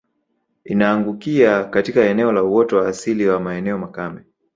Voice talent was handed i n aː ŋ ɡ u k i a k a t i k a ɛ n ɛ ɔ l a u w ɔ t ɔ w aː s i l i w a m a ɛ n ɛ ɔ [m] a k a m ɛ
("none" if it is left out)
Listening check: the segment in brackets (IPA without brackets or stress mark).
m